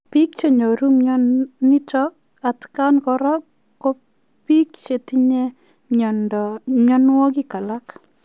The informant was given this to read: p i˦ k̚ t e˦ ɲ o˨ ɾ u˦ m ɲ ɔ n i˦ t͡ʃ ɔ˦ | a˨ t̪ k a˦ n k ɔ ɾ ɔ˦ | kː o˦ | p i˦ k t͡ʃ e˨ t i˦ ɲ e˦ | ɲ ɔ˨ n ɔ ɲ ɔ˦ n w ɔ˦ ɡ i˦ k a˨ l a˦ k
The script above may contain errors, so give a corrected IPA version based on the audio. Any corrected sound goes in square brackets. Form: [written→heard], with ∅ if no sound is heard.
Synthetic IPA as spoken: p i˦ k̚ [t→t͡ʃ] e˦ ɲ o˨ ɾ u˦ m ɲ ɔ n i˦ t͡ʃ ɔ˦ | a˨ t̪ k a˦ n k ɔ ɾ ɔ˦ | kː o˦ | p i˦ k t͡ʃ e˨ t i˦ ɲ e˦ | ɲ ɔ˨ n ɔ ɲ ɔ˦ n w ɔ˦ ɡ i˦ k a˨ l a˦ k